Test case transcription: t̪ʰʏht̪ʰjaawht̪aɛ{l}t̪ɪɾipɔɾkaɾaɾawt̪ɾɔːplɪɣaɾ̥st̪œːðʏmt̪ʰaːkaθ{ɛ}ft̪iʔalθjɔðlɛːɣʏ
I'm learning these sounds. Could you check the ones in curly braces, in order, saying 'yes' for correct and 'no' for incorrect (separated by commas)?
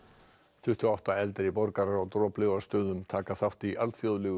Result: yes, no